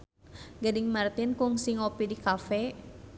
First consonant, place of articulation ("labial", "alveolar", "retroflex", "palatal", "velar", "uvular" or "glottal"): velar